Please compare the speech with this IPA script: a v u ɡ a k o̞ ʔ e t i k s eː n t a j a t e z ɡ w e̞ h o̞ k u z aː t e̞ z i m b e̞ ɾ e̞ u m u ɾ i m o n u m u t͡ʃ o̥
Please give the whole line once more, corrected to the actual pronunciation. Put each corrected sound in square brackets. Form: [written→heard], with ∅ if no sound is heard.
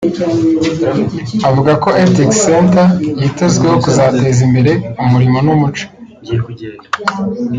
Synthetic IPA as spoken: a v u ɡ a k o̞ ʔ e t i k s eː n t a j [a→i] t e z ɡ w e̞ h o̞ k u z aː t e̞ z i m b e̞ ɾ e̞ u m u ɾ i m o n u m u t͡ʃ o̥